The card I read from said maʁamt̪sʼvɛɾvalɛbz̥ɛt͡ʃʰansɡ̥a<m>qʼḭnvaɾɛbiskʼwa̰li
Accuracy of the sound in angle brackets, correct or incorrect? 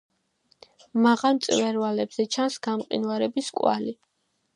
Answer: correct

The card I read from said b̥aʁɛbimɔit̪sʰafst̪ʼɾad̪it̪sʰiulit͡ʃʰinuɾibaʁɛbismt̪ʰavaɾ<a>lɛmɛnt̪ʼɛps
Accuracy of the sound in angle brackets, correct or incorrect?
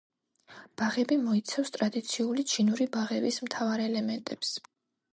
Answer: incorrect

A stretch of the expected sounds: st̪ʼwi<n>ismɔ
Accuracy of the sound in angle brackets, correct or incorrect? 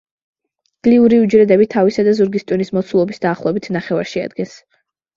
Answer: correct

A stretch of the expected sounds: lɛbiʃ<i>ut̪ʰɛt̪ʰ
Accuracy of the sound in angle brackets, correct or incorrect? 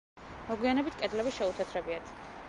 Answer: incorrect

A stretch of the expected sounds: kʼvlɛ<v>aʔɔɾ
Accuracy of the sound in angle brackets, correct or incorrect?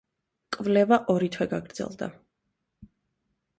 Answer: correct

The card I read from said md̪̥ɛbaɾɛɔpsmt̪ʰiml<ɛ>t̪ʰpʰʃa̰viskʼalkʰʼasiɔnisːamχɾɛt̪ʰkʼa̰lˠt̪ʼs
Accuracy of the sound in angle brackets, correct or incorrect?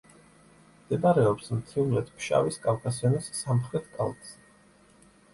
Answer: correct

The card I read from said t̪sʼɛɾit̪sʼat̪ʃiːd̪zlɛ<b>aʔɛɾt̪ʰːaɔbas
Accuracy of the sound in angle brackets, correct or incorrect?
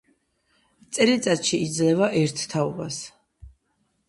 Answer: incorrect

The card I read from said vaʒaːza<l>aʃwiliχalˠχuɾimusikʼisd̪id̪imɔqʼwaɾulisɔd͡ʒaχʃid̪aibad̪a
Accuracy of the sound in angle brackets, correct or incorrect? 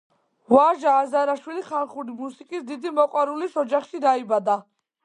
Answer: incorrect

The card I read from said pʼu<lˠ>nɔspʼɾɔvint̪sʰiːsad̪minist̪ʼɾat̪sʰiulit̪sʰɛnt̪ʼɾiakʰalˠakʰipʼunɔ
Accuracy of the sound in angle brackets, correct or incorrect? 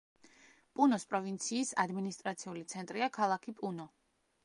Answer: incorrect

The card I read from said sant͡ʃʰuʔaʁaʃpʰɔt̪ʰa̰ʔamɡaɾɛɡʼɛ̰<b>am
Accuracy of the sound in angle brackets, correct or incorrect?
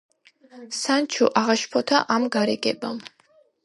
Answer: correct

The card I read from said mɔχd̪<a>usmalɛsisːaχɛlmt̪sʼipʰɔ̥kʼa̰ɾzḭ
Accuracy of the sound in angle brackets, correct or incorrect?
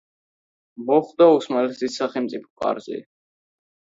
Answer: correct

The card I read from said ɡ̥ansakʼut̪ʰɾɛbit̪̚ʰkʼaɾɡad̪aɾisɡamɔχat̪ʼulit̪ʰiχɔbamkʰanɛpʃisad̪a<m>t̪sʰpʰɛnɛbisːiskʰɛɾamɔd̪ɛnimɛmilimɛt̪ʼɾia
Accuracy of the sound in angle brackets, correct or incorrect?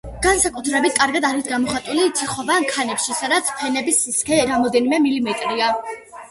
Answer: incorrect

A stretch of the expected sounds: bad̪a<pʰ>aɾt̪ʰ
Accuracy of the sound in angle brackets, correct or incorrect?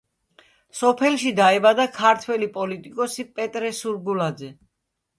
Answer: incorrect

